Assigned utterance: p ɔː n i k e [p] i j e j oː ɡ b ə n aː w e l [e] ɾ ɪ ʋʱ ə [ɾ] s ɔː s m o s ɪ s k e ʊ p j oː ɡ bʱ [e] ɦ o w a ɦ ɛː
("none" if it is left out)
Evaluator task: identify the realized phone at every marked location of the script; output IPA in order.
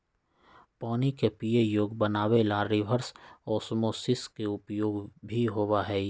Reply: p, a, ɾ, i

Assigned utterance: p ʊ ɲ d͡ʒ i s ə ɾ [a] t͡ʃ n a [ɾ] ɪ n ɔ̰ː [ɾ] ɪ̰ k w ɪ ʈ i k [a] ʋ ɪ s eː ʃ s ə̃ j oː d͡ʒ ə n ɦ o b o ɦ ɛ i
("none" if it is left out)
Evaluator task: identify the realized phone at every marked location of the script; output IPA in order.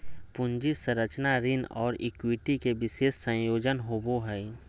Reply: ə, ɾ, ɾ, e

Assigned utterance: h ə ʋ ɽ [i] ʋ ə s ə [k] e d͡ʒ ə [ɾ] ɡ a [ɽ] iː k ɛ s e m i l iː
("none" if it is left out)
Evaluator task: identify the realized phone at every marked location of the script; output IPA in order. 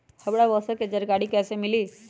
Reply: a, k, ɾ, ɽ

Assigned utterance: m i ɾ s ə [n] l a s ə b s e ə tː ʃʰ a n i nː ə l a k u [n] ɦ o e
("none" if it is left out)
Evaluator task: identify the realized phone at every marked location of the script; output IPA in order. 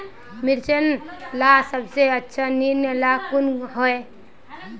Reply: n, n

